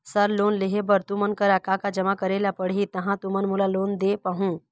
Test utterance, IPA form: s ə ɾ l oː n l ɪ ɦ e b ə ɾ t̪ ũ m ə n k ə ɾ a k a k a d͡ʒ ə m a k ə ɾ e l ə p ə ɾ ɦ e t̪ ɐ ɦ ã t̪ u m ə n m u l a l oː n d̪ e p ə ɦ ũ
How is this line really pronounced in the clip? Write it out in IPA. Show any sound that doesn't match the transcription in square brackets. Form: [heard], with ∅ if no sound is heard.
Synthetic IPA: s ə ɾ l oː n l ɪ ɦ e b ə ɾ t̪ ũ m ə n k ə ɾ a k a k a d͡ʒ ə m a k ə ɾ e l [a] p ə [ɽ] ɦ [i] t̪ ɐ ɦ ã t̪ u m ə n m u l a l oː n d̪ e p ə ɦ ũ